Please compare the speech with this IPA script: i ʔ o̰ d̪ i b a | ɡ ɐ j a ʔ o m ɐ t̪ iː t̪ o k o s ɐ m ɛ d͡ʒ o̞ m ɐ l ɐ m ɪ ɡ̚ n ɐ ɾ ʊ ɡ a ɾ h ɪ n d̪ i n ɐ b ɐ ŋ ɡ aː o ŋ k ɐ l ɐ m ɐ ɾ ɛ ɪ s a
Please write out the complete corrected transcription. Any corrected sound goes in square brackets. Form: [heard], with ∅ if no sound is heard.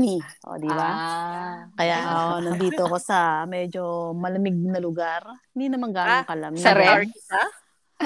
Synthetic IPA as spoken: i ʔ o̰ d̪ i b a | [k] ɐ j a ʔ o [n] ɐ [d̪] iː t̪ o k o s ɐ m ɛ d͡ʒ o̞ m ɐ l ɐ m ɪ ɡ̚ n ɐ [l] ʊ ɡ a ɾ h ɪ n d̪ i n ɐ [m] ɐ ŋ ɡ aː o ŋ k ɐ l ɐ m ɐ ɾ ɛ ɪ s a